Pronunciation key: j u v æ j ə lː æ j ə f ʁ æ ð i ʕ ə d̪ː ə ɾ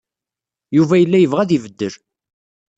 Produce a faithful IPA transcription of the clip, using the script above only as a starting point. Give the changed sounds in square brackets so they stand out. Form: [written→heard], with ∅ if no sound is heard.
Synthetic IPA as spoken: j u v æ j ə lː æ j ə [f→v] ʁ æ ð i [ʕ→v] ə d̪ː ə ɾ